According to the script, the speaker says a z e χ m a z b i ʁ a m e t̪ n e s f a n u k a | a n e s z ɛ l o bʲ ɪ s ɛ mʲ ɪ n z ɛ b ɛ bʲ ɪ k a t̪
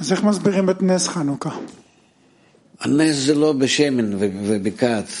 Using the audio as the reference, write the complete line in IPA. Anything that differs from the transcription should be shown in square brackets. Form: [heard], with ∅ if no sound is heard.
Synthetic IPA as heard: a z e χ m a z b i ʁ [i] m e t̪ n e s [χ] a n u k a | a n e s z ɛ l o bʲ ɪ [ʃ] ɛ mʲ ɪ n [v] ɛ [v] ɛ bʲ ɪ k a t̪